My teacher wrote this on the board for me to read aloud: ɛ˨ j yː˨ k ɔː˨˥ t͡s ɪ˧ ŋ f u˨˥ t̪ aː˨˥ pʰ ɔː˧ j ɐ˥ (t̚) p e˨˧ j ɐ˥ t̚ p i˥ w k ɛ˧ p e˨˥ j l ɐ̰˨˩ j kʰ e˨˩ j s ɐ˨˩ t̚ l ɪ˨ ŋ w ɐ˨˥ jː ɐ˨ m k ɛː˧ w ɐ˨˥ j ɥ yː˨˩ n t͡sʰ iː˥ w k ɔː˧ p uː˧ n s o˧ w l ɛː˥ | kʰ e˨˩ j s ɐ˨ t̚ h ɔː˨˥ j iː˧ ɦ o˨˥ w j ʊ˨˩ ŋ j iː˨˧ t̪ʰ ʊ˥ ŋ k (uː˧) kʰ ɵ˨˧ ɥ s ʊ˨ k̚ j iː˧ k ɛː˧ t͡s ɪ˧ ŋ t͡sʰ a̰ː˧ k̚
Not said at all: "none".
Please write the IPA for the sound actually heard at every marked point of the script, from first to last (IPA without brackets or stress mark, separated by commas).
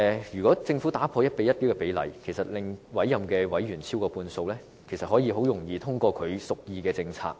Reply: t̚, ɔː˧